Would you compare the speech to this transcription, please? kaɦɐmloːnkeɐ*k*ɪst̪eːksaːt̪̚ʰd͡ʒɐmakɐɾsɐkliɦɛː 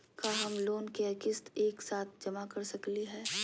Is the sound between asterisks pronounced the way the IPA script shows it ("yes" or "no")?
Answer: yes